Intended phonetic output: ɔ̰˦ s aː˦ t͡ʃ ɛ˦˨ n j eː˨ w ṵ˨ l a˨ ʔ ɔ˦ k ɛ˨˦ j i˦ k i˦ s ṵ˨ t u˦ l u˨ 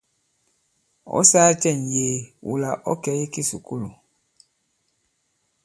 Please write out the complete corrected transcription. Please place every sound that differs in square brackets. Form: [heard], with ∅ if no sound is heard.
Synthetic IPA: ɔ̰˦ s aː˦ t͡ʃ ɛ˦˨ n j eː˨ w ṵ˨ l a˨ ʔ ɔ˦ k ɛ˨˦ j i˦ k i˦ s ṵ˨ [k] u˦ l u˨